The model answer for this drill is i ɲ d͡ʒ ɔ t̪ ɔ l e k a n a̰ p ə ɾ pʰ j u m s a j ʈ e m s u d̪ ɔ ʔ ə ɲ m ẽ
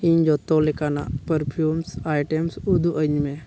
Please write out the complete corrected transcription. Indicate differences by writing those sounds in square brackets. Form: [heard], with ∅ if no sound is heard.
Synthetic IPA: i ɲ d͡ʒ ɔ t̪ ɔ l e k a n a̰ p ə ɾ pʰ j u m s a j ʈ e m s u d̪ [u] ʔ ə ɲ m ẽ